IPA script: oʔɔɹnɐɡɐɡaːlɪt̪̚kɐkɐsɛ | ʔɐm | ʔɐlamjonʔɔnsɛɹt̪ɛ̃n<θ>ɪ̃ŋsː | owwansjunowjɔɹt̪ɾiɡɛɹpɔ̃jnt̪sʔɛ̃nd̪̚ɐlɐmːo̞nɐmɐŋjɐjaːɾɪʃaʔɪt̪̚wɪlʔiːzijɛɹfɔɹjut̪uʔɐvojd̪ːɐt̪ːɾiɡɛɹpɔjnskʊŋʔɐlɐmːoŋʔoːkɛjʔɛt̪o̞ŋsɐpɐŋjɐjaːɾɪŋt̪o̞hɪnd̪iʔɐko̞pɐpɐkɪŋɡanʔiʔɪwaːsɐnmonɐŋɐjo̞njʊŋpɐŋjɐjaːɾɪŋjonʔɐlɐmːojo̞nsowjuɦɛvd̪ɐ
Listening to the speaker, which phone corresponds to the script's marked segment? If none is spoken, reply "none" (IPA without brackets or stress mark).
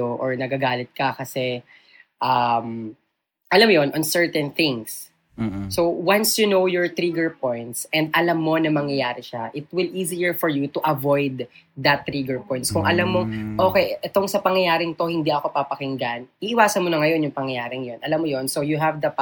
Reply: θ